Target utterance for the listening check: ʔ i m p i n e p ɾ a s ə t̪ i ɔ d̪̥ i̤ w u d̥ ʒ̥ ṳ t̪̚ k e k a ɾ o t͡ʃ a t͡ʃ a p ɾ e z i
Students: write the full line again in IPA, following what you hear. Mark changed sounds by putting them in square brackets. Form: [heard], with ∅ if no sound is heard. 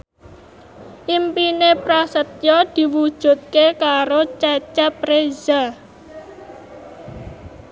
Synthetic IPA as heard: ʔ i m p i n e p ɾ a s ə t̪ [j] ɔ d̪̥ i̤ w u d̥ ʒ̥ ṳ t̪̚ k e k a ɾ o t͡ʃ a t͡ʃ a p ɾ e z [a]